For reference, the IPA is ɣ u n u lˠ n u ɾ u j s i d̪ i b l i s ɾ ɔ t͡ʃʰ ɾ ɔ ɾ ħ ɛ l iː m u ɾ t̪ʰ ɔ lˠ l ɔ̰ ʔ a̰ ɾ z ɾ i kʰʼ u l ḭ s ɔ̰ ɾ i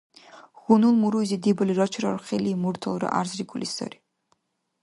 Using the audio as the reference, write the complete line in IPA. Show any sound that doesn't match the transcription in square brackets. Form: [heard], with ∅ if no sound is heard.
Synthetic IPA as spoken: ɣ u n u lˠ [m] u ɾ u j [z] i d̪ i b l i [∅] ɾ ɔ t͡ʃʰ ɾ ɔ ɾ [χ] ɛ l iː m u ɾ t̪ʰ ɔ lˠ [ɾ] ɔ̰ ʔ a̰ ɾ z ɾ i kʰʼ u l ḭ s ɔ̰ ɾ i